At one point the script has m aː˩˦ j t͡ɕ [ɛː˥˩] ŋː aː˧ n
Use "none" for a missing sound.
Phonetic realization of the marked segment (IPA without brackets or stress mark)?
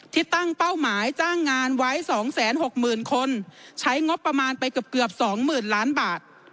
aː˥˩